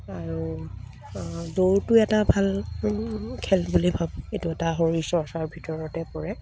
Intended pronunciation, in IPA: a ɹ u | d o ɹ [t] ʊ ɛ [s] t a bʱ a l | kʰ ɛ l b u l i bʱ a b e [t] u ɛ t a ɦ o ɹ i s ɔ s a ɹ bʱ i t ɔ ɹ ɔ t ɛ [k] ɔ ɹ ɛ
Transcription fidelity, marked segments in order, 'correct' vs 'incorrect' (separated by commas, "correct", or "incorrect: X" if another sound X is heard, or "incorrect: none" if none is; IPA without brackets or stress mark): correct, incorrect: none, correct, incorrect: p